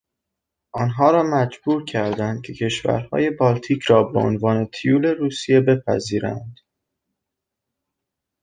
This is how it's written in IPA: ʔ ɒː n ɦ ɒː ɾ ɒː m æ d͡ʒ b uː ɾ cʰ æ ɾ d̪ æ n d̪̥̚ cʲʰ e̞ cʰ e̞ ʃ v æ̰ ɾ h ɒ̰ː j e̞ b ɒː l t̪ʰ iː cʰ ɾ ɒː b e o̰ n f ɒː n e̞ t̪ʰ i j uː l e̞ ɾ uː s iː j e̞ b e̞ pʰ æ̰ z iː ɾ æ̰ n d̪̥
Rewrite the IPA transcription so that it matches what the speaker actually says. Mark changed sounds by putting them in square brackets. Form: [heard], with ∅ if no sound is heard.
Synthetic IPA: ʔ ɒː n ɦ ɒː ɾ ɒː m æ d͡ʒ b uː ɾ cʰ æ ɾ d̪ æ n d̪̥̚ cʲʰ e̞ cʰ e̞ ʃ v æ̰ ɾ h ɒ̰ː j e̞ b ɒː l t̪ʰ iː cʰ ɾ ɒː b e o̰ n [v] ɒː n e̞ t̪ʰ i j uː l e̞ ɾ uː s [i] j e̞ b e̞ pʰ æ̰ z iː ɾ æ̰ n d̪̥